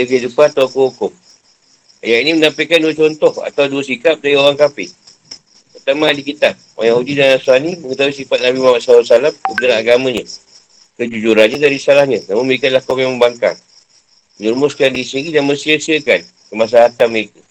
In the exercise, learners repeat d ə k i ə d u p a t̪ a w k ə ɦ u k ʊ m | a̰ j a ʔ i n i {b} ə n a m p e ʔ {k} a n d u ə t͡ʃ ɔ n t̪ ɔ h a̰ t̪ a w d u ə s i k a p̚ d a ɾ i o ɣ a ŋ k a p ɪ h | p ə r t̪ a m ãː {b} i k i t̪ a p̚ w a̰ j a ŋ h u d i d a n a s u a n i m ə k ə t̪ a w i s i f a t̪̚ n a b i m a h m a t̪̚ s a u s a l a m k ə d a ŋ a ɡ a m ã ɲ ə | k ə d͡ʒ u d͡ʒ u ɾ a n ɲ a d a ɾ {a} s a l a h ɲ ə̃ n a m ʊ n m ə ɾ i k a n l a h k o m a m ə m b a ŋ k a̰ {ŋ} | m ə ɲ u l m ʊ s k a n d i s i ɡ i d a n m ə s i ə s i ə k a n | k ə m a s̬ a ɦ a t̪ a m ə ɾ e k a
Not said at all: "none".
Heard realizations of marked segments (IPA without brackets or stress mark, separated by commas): m, k, d, i, ŋ